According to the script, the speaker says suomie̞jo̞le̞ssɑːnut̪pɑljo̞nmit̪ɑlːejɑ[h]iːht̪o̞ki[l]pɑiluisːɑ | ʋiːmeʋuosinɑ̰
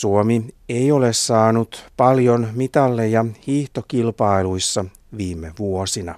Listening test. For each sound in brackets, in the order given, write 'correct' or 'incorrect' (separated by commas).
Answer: correct, correct